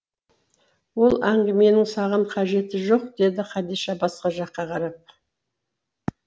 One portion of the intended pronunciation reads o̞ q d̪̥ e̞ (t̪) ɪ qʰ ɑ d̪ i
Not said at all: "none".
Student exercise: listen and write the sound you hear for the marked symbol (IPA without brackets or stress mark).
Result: d̪